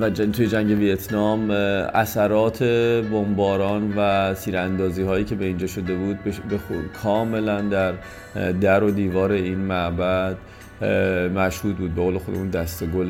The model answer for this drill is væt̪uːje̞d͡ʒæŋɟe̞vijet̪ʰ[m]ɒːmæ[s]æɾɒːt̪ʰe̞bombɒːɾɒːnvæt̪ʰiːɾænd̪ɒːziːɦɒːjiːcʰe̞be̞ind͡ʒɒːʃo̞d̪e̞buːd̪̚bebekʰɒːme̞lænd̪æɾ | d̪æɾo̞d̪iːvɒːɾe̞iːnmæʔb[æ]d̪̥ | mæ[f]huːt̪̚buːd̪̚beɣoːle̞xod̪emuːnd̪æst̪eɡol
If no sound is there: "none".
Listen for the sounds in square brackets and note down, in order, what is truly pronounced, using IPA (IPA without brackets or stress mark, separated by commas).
n, s, æ, ʃ